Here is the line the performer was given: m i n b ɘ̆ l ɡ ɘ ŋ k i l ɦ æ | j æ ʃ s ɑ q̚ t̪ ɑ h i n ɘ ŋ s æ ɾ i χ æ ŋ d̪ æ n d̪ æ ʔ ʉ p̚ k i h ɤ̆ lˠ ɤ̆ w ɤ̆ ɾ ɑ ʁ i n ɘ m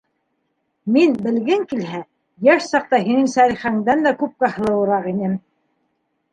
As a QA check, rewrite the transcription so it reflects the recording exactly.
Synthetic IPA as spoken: m i n b ɘ̆ l ɡ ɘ ŋ k i l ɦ æ | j æ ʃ s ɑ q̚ t̪ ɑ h i n ɘ ŋ s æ ɾ i χ æ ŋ d̪ æ n d̪ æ k ʉ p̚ k æ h ɤ̆ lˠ ɤ̆ w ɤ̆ ɾ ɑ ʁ i n ɘ m